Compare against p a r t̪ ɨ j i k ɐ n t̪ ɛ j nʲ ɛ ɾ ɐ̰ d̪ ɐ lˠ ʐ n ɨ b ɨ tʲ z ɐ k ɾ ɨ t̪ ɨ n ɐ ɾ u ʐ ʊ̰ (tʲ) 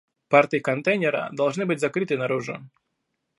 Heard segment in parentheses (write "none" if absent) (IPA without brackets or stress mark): none